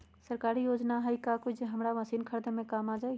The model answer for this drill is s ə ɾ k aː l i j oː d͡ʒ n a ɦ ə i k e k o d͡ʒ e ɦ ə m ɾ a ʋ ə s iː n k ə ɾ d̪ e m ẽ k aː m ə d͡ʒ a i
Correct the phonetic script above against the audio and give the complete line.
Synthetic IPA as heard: s ə ɾ k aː ɾ i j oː d͡ʒ n a ɦ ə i k a k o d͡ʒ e ɦ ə m ɾ a ʋ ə s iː n kʰ ə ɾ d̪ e m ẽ k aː m a d͡ʒ a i